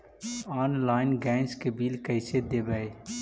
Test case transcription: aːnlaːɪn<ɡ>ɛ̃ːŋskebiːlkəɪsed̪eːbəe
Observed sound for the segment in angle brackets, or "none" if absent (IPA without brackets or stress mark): ɡ